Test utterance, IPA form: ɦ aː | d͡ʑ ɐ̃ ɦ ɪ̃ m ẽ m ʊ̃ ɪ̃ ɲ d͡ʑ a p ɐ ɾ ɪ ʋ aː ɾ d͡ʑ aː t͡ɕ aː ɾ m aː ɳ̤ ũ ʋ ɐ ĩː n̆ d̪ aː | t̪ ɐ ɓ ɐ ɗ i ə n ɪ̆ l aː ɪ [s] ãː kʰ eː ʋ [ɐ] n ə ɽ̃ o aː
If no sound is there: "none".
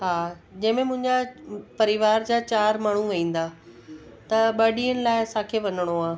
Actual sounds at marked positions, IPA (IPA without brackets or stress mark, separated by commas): s, ɐ